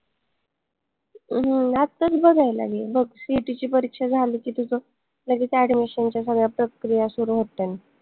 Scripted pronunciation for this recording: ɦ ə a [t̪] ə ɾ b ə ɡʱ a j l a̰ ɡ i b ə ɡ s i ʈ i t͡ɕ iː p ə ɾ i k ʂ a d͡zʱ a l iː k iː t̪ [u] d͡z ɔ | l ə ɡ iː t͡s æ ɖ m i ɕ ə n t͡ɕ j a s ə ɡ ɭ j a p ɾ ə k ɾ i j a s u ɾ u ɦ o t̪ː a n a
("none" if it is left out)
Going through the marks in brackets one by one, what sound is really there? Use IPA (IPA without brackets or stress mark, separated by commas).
t̪, u